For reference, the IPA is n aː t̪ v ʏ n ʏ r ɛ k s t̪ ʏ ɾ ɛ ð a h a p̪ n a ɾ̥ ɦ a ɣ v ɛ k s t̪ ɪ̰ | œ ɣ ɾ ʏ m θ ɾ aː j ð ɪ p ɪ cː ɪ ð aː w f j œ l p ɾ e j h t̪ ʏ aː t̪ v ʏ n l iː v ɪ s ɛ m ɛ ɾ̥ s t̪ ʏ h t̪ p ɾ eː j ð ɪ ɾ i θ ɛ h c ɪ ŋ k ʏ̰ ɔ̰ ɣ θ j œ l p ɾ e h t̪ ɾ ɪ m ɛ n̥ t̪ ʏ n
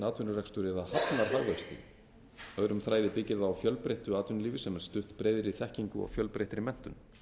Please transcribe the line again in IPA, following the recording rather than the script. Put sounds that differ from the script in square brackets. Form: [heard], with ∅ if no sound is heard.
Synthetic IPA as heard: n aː t̪ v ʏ n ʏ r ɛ k s t̪ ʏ ɾ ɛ ð a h a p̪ n a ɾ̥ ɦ a ɣ v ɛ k s t̪ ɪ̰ | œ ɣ ɾ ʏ m θ ɾ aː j ð ɪ p ɪ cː ɪ ð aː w f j œ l p ɾ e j h t̪ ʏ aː t̪ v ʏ n l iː v ɪ s ɛ m ɛ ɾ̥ s t̪ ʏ h t̪ p ɾ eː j ð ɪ ɾ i θ ɛ h c [i] ŋ k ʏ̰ ɔ̰ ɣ [f] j œ l p ɾ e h t̪ ɾ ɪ m ɛ n̥ t̪ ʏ n